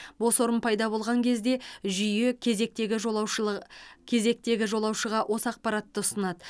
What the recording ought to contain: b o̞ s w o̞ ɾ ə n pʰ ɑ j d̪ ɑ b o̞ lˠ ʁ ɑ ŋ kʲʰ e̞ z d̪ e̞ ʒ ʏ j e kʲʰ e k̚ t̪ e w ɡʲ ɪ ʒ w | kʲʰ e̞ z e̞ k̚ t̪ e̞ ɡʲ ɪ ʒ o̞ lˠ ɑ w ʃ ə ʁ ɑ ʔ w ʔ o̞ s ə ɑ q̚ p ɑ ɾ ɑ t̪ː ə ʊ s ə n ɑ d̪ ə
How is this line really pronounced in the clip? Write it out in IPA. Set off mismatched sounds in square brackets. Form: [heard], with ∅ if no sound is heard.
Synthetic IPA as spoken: b o̞ s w o̞ ɾ ə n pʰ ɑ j d̪ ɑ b o̞ lˠ ʁ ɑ ŋ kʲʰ e̞ z d̪ e̞ ʒ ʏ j e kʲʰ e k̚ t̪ e [∅] ɡʲ ɪ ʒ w | kʲʰ e̞ z e̞ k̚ t̪ e̞ ɡʲ ɪ ʒ o̞ lˠ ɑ w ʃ ə ʁ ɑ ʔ w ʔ o̞ s ə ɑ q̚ p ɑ ɾ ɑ t̪ː ə ʊ s ə n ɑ d̪ ə